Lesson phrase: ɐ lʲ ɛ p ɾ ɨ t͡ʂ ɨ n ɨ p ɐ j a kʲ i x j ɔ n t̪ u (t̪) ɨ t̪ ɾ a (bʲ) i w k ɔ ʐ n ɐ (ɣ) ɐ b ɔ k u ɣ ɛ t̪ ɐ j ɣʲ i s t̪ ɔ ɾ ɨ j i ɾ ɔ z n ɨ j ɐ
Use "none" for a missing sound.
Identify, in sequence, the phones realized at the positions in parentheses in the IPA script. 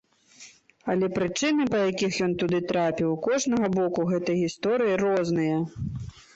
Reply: d̪, pʲ, ɣ

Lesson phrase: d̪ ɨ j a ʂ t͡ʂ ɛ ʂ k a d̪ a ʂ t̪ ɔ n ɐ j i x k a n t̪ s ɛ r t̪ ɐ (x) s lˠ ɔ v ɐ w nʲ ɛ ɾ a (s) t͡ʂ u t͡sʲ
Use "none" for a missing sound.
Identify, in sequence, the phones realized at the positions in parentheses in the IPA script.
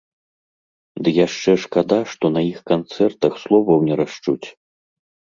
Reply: x, ʂ

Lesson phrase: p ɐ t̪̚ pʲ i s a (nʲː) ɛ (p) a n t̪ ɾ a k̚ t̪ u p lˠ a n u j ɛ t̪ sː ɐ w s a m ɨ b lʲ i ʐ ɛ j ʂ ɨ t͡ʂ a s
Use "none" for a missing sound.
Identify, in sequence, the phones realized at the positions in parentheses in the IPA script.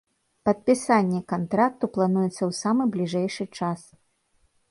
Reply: nʲː, k

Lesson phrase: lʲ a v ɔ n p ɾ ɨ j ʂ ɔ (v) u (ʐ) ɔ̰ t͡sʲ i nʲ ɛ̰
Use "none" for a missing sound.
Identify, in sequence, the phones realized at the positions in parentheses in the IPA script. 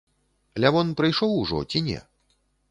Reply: w, ʐ

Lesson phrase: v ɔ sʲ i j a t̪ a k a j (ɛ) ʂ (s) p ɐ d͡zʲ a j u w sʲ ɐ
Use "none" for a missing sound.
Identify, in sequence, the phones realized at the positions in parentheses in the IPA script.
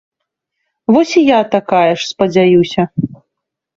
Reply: ɛ, s

